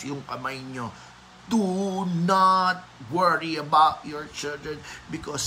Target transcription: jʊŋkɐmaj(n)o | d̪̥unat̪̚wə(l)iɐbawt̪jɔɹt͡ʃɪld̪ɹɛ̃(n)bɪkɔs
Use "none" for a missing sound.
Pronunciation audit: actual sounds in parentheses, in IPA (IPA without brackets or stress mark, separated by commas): ɲ, ɹ, n